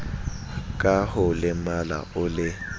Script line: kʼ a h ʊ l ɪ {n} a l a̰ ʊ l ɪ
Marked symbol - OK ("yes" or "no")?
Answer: no